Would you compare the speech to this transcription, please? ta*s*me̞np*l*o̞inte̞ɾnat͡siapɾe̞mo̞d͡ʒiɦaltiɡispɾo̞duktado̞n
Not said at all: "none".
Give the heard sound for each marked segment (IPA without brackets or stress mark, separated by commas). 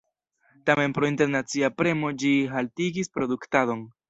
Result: none, ɾ